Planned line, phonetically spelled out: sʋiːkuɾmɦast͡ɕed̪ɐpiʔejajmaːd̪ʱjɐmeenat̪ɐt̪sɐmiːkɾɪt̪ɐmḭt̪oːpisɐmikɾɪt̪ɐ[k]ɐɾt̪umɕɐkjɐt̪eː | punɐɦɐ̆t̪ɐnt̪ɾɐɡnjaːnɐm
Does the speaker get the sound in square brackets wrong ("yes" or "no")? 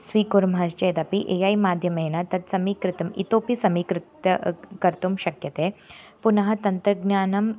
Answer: no